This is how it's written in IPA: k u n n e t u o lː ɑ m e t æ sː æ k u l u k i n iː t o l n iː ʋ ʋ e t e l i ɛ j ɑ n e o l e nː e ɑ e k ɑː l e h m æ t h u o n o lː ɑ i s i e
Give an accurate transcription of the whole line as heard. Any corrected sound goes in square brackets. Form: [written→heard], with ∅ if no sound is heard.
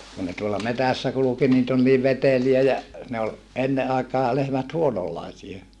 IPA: k u n n e t u o lː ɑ m e t æ sː æ k u l u k i n iː t o l n iː ʋ ʋ e t e l i [ɛ→æ] j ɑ n e o l e nː e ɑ e k ɑː l e h m æ t h u o n o lː ɑ i s i e